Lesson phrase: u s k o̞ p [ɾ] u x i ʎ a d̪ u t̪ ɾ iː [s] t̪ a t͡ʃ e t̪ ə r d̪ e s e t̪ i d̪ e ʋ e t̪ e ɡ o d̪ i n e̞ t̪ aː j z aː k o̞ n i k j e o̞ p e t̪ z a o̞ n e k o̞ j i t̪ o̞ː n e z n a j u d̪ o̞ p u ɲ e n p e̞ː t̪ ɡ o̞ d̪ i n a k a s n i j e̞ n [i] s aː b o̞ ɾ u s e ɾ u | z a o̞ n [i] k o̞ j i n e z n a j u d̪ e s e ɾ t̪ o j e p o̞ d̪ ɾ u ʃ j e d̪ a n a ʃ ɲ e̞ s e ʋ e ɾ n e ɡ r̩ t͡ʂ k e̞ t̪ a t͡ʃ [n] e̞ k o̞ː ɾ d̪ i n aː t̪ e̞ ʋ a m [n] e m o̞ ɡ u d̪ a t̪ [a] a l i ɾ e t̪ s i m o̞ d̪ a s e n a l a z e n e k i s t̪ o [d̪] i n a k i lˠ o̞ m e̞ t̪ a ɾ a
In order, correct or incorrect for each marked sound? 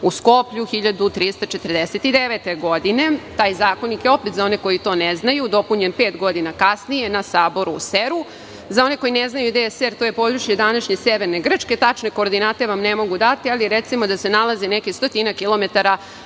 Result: incorrect: ʎ, correct, incorrect: a, incorrect: e, correct, correct, incorrect: i, incorrect: t̪

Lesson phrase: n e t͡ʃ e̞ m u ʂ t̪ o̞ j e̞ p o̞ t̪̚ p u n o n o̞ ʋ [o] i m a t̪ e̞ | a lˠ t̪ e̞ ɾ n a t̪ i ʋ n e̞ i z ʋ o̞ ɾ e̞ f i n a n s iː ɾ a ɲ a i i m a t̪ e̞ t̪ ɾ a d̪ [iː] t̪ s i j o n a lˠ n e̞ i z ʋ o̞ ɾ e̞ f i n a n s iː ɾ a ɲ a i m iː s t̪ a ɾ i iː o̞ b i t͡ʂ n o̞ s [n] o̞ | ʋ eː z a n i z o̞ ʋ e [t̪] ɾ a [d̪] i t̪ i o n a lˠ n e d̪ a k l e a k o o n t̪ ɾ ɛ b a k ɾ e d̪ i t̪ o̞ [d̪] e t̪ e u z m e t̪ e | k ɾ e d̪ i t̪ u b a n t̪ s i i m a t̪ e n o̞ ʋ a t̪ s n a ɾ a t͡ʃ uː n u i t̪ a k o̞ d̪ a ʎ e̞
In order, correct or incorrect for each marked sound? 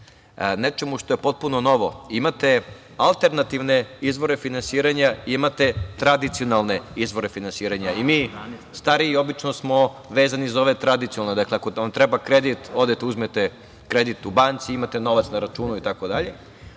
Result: correct, incorrect: i, incorrect: m, correct, correct, correct

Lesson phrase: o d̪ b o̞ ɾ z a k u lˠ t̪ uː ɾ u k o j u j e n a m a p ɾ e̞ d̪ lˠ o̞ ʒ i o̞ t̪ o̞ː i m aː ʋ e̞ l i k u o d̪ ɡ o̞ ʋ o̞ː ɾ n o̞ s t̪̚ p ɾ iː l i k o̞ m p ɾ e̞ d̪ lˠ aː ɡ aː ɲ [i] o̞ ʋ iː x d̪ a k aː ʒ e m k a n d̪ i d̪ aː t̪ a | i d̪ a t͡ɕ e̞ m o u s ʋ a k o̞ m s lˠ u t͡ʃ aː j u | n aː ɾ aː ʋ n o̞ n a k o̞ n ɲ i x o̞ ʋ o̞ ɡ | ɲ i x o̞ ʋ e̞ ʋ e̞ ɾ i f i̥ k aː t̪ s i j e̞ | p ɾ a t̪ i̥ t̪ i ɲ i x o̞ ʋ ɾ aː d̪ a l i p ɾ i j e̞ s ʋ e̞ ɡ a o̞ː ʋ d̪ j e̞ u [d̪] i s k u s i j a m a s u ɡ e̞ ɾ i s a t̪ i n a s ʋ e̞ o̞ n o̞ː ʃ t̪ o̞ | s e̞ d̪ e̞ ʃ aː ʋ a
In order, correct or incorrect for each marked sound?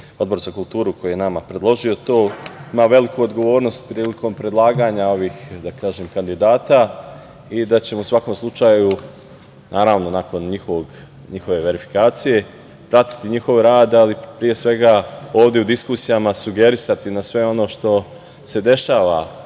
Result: incorrect: a, correct

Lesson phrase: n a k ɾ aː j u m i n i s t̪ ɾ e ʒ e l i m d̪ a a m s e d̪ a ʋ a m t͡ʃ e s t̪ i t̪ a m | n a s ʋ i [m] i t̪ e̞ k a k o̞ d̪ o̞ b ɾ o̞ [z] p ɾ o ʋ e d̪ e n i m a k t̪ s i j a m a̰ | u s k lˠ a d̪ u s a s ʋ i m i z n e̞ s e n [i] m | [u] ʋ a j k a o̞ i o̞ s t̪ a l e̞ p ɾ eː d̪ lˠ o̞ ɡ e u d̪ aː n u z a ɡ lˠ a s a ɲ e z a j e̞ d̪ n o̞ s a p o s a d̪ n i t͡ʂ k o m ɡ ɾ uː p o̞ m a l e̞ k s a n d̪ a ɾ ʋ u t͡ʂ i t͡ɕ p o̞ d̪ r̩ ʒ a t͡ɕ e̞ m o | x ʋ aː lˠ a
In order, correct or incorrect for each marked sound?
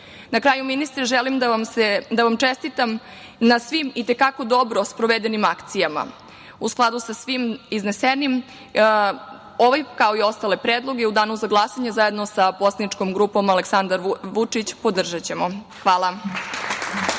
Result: correct, incorrect: s, correct, incorrect: o

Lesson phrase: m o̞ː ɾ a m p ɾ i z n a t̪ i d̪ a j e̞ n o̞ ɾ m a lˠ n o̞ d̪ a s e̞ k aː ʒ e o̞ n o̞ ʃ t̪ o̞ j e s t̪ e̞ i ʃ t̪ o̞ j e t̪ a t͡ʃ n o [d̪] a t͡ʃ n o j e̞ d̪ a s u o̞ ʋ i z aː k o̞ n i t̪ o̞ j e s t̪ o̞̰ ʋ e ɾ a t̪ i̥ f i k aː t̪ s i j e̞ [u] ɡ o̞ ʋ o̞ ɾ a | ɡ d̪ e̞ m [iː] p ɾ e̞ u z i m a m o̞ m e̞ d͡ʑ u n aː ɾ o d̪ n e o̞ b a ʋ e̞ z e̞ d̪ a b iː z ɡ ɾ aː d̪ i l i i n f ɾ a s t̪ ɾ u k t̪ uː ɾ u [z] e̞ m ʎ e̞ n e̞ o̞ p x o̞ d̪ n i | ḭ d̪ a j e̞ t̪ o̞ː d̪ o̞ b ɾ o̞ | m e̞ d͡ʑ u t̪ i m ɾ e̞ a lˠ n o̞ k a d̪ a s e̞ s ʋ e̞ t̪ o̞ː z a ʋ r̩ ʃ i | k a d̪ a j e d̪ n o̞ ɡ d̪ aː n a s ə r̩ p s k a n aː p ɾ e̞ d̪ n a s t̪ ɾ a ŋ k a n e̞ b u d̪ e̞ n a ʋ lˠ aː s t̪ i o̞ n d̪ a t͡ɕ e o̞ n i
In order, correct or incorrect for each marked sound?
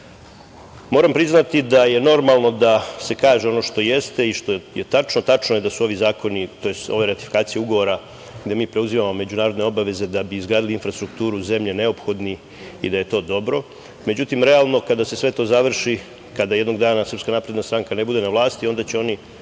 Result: incorrect: t̪, correct, correct, correct

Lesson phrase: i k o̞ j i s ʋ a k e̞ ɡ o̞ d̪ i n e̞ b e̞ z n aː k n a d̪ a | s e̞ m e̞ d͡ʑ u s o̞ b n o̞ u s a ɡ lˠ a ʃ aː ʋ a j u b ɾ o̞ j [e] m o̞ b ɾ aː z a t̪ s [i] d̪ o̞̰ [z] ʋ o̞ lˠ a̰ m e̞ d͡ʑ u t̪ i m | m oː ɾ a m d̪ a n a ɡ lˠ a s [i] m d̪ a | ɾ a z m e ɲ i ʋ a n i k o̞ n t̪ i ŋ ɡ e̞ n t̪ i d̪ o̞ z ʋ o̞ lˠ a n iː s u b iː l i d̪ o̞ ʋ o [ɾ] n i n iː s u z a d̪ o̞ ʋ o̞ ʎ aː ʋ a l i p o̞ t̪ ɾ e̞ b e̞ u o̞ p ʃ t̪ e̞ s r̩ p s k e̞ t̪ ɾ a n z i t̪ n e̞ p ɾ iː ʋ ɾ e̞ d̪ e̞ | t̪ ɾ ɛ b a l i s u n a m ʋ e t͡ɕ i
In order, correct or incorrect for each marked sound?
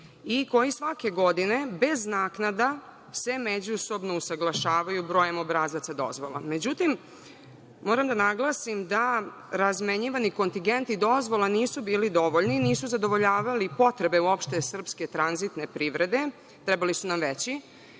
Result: correct, incorrect: a, correct, correct, incorrect: ʎ

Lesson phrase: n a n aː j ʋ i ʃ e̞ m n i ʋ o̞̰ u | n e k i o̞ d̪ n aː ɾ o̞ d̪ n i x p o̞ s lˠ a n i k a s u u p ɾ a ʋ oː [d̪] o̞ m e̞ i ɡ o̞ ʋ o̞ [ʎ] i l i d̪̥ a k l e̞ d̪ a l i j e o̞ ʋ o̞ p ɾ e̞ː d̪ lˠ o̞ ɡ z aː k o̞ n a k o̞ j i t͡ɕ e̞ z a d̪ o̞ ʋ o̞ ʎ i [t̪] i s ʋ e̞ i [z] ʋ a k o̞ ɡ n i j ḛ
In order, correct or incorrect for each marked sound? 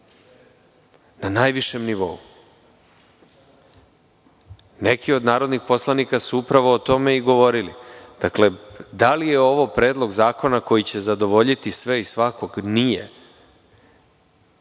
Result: incorrect: t̪, incorrect: ɾ, correct, incorrect: s

